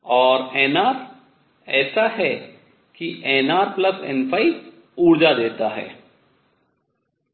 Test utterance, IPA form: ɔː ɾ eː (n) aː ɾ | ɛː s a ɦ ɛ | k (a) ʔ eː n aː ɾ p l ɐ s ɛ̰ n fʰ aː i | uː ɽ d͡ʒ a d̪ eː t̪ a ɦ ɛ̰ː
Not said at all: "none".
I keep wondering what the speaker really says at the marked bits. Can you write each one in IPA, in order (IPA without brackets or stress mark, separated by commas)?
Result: n, i